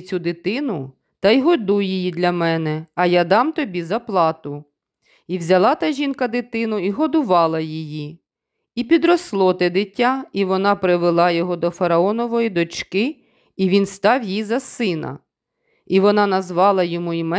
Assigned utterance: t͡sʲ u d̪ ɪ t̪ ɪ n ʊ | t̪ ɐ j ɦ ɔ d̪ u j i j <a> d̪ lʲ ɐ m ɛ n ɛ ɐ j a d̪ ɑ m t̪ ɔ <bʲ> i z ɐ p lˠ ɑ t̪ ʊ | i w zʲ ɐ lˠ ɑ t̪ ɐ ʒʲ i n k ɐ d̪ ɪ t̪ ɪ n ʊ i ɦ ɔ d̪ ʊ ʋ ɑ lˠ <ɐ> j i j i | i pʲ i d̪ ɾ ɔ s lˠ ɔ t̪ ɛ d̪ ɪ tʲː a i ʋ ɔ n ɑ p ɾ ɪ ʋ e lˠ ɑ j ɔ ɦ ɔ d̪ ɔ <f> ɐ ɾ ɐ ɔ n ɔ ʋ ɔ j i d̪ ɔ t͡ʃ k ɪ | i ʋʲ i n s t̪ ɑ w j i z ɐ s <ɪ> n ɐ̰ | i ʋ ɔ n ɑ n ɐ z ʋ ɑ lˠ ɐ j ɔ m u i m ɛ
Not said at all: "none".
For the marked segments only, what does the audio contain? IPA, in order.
i, bʲ, ɐ, f, ɪ

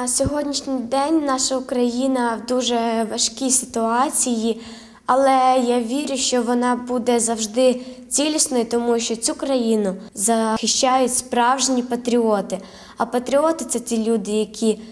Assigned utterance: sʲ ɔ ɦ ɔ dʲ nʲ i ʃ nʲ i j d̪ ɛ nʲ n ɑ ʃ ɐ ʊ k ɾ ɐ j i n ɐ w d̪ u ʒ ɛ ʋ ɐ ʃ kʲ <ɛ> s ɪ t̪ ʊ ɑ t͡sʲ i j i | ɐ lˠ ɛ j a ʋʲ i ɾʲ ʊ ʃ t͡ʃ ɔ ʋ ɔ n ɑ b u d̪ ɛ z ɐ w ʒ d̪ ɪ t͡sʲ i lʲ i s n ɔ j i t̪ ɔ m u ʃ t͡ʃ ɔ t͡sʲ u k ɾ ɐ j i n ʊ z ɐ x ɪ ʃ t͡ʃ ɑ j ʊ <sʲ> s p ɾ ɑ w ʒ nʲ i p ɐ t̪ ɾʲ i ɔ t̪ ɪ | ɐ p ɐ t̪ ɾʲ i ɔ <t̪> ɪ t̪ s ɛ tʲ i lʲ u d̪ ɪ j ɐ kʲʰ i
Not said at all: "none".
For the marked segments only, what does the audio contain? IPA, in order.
i, tʲ, t̪

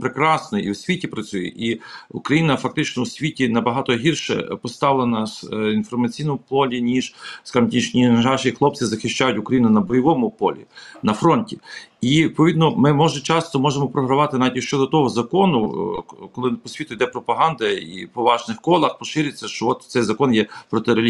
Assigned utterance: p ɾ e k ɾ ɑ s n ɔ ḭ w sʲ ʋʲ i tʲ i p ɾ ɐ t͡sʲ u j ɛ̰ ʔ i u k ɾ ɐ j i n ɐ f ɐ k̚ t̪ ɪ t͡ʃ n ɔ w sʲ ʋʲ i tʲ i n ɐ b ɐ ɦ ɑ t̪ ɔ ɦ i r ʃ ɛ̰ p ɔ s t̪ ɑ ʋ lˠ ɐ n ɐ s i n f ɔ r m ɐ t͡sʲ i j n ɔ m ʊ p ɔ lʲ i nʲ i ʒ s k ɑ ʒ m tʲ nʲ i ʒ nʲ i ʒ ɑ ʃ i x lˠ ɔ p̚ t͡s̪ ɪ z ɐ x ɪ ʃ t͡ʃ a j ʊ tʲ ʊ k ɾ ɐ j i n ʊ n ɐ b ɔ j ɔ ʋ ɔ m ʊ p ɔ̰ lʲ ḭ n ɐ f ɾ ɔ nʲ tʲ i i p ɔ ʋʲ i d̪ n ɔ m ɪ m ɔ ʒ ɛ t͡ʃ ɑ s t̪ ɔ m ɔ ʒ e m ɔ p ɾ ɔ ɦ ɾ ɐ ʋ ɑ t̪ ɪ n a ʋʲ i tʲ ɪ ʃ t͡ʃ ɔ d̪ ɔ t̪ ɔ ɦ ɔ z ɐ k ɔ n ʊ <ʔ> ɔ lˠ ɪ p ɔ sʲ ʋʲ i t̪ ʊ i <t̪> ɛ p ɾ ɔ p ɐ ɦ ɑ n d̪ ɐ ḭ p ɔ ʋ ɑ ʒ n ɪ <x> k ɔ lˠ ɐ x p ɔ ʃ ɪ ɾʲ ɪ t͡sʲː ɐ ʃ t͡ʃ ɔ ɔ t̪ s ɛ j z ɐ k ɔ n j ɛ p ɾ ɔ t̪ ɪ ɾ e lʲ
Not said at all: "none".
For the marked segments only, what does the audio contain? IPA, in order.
k, d̪, x

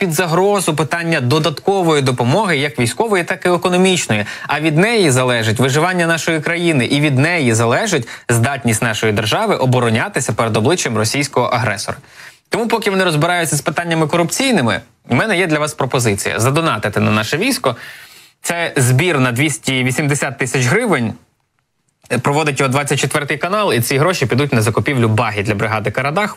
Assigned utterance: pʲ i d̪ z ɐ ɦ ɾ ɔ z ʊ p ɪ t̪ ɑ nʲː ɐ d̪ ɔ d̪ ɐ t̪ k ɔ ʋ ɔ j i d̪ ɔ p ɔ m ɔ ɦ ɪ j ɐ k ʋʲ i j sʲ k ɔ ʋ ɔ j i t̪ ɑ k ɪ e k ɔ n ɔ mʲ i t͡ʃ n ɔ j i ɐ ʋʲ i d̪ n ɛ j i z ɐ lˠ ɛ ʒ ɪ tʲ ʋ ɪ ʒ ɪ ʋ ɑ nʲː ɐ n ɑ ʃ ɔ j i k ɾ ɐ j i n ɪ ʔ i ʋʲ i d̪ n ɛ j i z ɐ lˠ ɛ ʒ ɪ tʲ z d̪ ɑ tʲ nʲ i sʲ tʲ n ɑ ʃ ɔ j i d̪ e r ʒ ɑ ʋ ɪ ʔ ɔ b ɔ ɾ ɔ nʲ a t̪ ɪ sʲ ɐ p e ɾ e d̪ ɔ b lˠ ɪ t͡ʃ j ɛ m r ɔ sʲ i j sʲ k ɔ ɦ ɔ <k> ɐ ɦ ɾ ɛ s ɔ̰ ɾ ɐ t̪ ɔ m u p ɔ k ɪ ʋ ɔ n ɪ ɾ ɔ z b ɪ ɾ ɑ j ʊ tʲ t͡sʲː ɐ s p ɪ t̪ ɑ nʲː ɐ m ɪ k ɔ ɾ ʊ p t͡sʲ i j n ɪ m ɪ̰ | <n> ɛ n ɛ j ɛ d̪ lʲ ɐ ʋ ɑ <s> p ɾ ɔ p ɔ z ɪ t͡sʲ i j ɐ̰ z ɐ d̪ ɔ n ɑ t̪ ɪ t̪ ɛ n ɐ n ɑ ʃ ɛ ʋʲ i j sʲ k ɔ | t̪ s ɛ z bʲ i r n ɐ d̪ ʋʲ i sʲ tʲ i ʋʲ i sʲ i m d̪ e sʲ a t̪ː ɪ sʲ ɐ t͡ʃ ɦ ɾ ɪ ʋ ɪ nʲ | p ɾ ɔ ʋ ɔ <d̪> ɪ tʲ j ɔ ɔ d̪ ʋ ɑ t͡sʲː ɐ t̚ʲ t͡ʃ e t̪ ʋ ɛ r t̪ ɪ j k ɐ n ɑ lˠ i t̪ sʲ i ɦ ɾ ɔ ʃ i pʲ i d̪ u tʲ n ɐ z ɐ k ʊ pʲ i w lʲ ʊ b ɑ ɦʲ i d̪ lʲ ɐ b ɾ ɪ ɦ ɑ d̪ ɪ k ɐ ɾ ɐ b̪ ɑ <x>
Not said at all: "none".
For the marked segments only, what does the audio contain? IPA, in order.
ʔ, m, s, d̪, x

